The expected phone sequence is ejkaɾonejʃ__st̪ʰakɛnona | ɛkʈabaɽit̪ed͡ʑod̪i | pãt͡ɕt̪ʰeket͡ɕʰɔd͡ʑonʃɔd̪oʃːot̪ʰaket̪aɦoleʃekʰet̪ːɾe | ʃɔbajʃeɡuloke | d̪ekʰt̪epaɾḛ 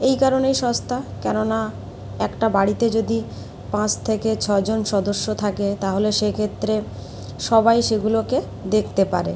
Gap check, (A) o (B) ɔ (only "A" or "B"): B